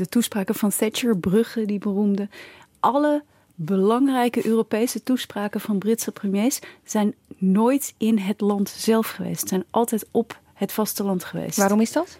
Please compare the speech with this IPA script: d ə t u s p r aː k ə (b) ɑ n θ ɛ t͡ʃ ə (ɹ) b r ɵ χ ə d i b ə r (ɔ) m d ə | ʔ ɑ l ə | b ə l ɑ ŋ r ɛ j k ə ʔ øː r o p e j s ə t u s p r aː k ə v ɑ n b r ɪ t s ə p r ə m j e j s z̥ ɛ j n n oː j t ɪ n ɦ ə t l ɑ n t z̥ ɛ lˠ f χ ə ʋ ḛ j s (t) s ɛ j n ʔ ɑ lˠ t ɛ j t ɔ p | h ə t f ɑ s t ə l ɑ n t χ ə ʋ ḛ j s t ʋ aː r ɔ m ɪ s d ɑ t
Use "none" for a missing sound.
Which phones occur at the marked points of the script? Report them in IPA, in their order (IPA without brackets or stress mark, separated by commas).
v, ɹ, u, t